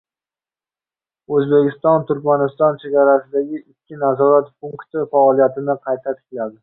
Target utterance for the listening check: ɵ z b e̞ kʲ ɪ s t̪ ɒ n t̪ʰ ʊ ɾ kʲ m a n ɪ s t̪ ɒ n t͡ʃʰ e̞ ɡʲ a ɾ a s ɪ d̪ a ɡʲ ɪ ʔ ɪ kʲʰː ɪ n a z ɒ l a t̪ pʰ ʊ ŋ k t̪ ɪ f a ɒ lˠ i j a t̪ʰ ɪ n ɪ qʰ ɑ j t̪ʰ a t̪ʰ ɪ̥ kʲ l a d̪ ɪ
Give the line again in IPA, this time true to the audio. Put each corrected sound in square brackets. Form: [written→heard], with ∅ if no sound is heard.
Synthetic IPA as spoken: ɵ z b e̞ kʲ ɪ s t̪ ɒ n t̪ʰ ʊ ɾ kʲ m a n ɪ s t̪ ɒ n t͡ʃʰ e̞ ɡʲ a ɾ a s ɪ d̪ a ɡʲ ɪ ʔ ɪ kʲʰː ɪ n a z ɒ [l→ɾ] a t̪ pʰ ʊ ŋ k t̪ ɪ f a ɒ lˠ i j a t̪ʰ ɪ n ɪ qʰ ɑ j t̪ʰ a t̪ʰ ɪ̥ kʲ l a d̪ ɪ

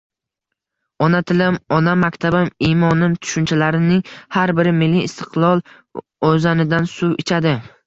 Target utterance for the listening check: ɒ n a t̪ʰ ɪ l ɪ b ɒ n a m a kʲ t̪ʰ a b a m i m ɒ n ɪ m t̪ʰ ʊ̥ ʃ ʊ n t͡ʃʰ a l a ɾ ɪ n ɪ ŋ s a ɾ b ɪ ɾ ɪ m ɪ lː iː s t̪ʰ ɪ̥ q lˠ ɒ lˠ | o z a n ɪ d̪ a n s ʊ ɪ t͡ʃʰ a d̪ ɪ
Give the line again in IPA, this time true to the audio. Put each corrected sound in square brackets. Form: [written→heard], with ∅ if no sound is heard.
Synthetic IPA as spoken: ɒ n a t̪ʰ ɪ l ɪ [b→m] ɒ n a m a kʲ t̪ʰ a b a m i m ɒ n ɪ m t̪ʰ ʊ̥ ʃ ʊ n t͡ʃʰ a l a ɾ ɪ n ɪ ŋ [s→h] a ɾ b ɪ ɾ ɪ m ɪ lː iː s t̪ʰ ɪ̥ q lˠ ɒ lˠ | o z a n ɪ d̪ a n s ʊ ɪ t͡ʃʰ a d̪ ɪ

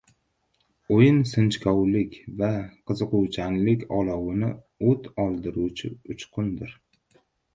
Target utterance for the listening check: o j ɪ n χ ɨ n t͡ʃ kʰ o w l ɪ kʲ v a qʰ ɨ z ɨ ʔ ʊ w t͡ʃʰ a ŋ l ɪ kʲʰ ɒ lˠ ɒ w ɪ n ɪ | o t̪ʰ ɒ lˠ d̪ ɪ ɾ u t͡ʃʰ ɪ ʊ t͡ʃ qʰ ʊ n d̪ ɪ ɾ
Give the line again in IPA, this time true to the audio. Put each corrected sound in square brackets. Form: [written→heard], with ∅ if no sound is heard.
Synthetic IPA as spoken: o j ɪ n [χ→s] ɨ n t͡ʃ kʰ [o→ɒ] w l ɪ kʲ v a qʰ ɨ z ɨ [ʔ→q] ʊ w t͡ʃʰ a [ŋ→n] l ɪ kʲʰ ɒ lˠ ɒ w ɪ n ɪ | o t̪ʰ ɒ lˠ d̪ ɪ ɾ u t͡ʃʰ ɪ ʊ t͡ʃ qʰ ʊ n d̪ ɪ ɾ

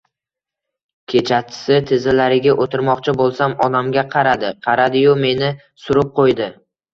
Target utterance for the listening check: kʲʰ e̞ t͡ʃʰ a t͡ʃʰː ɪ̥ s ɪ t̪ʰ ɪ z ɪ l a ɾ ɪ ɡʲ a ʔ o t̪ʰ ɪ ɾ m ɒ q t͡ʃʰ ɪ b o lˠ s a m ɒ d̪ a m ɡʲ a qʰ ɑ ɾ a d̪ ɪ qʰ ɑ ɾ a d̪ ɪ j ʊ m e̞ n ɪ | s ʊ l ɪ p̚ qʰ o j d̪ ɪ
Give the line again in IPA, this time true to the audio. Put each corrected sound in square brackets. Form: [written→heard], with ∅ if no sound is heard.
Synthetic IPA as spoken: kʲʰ e̞ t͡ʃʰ a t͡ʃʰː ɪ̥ s ɪ t̪ʰ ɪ z ɪ l a ɾ ɪ ɡʲ a ʔ o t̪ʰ ɪ ɾ m ɒ q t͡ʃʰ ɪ b o lˠ s a m ɒ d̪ a m ɡʲ a qʰ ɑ ɾ a d̪ ɪ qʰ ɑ ɾ a d̪ ɪ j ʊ m e̞ n ɪ | s ʊ [l→ɾ] ɪ p̚ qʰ o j d̪ ɪ

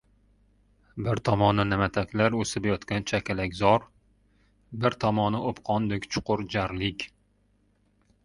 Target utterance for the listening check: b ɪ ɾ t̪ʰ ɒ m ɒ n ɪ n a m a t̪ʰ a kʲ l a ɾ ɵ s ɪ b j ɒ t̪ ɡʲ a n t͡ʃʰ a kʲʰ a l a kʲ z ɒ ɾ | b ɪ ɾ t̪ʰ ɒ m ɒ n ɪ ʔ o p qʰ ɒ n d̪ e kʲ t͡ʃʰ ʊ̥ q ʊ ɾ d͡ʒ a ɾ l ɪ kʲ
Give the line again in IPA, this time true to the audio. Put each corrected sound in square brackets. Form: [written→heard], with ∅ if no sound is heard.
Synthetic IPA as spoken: b ɪ ɾ t̪ʰ ɒ m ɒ n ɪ n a m a t̪ʰ a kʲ l a ɾ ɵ s ɪ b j ɒ t̪ [ɡʲ→kʲ] a n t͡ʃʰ a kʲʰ a l a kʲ z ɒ ɾ | b ɪ ɾ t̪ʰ ɒ m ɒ n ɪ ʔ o p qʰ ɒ n d̪ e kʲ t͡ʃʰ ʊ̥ q ʊ ɾ d͡ʒ a ɾ l ɪ kʲ

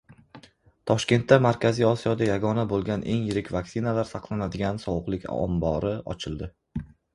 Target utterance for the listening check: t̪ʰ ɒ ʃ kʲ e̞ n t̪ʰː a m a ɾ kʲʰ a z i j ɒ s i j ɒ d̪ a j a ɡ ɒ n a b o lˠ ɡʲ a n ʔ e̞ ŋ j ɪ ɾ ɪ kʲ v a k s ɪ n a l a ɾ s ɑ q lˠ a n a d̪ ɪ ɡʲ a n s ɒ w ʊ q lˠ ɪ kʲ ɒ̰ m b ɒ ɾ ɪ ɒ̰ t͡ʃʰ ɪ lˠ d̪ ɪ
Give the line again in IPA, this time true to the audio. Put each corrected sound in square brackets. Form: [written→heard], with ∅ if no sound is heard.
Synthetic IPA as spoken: t̪ʰ ɒ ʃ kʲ e̞ n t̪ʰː a m a ɾ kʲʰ a z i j ɒ s i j ɒ d̪ a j a ɡ ɒ n a b o lˠ ɡʲ a n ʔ e̞ ŋ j ɪ ɾ ɪ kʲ v a k s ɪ n a l a ɾ s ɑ q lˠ a n a d̪ ɪ ɡʲ a n s ɒ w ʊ q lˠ ɪ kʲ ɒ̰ m b ɒ ɾ ɪ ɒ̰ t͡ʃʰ ɪ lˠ d̪ ɪ

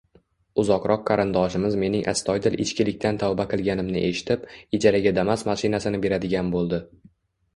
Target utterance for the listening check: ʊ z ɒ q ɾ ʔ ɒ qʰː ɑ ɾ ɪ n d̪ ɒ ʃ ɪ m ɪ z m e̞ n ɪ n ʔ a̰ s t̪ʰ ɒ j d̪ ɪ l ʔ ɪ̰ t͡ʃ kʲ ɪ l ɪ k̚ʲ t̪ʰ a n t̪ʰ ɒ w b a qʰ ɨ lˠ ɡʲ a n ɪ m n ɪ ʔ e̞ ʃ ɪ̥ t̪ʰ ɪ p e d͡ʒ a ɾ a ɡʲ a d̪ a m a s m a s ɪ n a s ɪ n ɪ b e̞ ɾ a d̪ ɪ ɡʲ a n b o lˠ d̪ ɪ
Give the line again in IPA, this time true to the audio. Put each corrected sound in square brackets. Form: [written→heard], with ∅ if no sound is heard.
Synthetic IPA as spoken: ʊ z ɒ q ɾ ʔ ɒ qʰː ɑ ɾ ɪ n d̪ ɒ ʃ ɪ m ɪ z m e̞ n ɪ [n→ŋ] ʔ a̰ s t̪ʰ ɒ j d̪ ɪ l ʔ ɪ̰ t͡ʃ kʲ ɪ l ɪ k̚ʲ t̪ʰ a n t̪ʰ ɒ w b a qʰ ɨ lˠ ɡʲ a n ɪ m n ɪ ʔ e̞ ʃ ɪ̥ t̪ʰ ɪ p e d͡ʒ a ɾ a ɡʲ a d̪ a m a s m a [s→ʃ] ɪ n a s ɪ n ɪ b e̞ ɾ a d̪ ɪ ɡʲ a n b o lˠ d̪ ɪ

